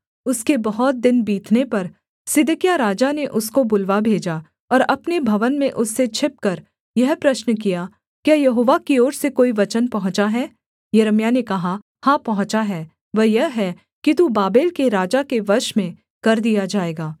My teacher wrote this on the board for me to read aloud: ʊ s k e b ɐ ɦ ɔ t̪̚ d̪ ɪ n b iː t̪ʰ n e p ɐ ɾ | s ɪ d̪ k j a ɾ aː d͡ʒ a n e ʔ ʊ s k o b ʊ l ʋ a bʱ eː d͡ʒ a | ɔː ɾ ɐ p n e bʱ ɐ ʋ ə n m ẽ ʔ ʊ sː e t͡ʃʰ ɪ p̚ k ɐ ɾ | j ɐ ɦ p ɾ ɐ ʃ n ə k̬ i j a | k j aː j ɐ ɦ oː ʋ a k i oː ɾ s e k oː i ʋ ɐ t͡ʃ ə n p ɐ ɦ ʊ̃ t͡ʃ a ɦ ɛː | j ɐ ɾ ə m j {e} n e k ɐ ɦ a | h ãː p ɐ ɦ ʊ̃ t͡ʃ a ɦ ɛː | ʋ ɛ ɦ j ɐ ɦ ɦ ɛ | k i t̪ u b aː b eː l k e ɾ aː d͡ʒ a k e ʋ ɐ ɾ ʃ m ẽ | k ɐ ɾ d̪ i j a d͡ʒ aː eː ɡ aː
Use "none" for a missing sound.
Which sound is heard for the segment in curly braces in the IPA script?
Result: a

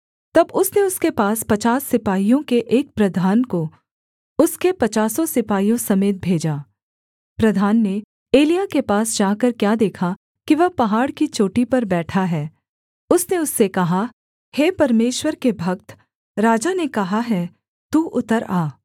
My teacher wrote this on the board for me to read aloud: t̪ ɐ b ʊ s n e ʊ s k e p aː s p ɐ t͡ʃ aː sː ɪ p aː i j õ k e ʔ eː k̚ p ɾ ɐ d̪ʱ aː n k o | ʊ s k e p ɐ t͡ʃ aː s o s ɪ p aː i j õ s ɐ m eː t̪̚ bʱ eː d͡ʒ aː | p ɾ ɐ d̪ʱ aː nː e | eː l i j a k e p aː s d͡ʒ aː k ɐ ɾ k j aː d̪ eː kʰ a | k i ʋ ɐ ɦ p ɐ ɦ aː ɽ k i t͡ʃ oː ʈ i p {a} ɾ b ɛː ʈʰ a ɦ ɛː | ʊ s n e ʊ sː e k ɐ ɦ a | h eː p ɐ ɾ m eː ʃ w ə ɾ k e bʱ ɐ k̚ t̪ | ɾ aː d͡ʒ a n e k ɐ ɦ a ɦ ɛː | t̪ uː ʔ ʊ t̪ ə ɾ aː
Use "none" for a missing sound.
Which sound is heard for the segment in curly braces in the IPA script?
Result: ɐ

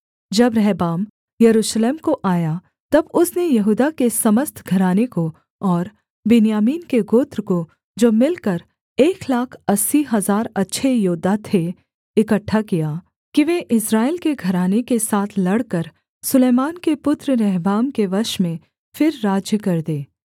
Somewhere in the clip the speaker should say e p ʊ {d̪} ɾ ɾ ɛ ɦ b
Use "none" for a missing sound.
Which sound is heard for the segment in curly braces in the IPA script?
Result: t̪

